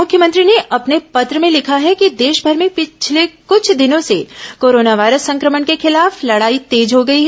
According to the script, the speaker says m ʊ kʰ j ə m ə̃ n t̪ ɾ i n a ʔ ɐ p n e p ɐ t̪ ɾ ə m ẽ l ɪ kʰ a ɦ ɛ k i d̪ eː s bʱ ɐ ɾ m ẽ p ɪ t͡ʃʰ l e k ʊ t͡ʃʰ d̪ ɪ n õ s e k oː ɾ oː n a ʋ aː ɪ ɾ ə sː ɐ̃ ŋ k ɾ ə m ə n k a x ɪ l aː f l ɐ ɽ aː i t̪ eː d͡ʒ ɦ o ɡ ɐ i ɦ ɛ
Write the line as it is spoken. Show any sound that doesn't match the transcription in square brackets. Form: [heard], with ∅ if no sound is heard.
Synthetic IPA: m ʊ kʰ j ə m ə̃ n t̪ ɾ i n [e] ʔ ɐ p n e p ɐ t̪ ɾ ə m ẽ l ɪ kʰ a ɦ ɛ k i d̪ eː [ʃ] bʱ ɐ ɾ m ẽ p ɪ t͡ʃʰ l e k ʊ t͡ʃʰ d̪ ɪ n õ s e k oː ɾ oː n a ʋ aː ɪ ɾ ə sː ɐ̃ ŋ k ɾ ə m ə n k [e] x ɪ l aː f l ɐ ɽ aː i t̪ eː d͡ʒ ɦ o ɡ ɐ i ɦ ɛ